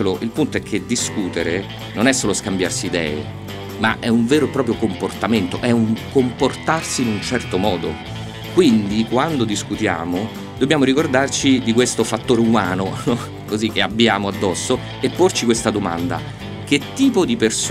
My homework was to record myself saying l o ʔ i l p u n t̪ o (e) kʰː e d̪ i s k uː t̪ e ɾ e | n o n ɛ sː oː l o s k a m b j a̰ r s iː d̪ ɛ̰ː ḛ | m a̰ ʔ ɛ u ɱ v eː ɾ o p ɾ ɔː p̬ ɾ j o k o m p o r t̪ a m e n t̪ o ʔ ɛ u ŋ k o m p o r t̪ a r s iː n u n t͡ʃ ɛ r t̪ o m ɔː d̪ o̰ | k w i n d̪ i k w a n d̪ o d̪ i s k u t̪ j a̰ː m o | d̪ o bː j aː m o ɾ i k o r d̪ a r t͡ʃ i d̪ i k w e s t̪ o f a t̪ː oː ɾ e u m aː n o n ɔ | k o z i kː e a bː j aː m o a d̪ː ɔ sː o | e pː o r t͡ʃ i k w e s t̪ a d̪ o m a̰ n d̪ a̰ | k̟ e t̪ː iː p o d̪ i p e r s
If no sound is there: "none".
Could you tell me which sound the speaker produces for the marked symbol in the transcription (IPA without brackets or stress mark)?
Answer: ɛ